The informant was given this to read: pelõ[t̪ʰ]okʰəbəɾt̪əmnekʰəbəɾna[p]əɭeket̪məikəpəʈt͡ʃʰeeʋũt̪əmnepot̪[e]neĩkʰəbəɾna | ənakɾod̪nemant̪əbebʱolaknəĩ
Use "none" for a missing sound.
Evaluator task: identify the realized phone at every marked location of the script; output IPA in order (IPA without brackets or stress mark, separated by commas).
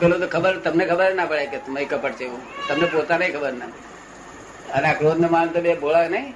t̪, p, a